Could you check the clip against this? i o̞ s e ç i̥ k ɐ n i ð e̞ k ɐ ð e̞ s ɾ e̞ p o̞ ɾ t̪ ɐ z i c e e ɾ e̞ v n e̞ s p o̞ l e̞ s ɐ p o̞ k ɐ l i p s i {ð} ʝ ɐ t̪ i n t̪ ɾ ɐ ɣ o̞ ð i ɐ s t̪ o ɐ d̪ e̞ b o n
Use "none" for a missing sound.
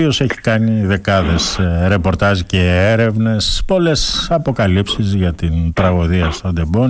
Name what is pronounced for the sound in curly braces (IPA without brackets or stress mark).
z